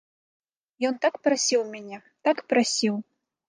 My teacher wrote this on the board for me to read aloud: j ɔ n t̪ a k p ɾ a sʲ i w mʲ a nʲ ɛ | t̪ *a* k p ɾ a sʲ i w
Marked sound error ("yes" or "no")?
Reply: no